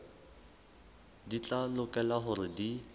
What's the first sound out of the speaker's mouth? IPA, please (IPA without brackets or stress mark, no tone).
d